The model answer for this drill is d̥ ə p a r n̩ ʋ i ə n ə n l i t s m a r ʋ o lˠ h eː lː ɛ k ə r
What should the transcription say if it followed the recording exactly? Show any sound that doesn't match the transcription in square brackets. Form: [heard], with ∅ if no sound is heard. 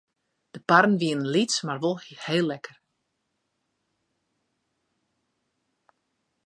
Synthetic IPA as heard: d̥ ə p a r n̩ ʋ i ə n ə n l i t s m a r ʋ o lˠ h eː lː ɛ k ə r